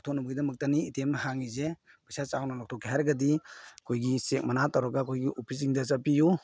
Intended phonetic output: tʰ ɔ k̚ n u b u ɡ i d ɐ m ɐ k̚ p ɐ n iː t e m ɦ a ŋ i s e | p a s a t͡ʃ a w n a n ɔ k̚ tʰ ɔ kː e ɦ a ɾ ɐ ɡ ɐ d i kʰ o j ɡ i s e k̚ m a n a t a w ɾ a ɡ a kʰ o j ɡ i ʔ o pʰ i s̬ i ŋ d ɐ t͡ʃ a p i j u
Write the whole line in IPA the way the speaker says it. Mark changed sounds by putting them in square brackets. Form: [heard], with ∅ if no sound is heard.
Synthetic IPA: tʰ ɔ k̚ n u b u ɡ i d ɐ m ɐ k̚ [t] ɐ n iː t e m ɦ a ŋ i [z] e | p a s a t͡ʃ a w n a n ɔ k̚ tʰ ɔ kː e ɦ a ɾ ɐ ɡ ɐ d i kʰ o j ɡ i s e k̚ m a n a t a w ɾ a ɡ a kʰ o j ɡ i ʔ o pʰ i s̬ i ŋ d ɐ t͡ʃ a p i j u